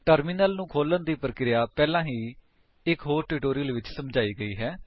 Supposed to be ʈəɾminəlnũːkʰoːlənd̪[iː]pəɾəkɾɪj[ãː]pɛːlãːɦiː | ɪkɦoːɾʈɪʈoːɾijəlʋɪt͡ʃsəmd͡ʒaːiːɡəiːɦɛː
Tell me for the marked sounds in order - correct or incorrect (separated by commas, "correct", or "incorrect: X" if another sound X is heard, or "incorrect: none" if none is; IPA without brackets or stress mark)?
correct, incorrect: aː